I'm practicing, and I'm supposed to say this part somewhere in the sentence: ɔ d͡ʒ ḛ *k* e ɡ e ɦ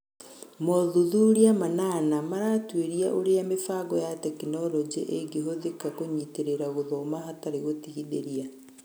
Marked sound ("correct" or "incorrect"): incorrect